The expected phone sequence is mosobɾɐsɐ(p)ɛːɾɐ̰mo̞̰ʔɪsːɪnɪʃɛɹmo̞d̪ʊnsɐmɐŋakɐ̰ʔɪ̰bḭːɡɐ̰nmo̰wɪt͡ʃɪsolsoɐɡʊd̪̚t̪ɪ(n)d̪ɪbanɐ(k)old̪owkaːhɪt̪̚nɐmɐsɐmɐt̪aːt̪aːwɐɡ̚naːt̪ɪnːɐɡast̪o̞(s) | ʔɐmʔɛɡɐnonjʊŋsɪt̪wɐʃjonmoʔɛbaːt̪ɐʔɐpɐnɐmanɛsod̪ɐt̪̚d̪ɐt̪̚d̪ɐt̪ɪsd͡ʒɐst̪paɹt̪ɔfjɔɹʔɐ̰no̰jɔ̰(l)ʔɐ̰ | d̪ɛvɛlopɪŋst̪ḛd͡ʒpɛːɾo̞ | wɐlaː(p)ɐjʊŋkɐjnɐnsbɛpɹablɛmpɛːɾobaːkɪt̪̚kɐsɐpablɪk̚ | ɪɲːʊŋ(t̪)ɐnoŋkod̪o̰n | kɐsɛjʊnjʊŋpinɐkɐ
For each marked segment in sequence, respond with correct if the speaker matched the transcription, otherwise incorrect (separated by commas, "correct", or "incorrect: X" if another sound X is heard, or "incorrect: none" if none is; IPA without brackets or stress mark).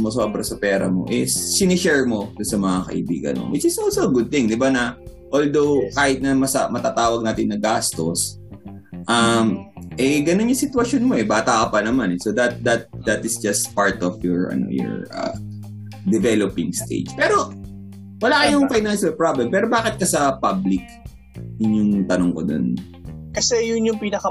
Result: correct, incorrect: ŋ, incorrect: ʔ, correct, incorrect: ɹ, incorrect: k, correct